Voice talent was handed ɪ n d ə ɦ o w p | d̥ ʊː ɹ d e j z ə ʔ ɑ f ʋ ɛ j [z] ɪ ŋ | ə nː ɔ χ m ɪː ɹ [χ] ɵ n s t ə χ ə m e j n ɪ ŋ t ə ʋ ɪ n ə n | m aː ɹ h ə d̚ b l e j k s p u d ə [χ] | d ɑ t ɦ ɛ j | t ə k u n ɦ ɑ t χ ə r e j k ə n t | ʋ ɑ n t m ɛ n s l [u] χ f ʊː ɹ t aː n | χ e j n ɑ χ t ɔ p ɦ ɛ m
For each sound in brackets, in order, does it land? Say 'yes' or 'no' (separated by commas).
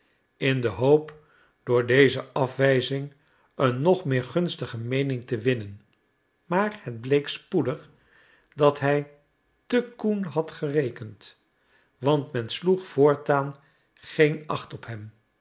yes, yes, yes, yes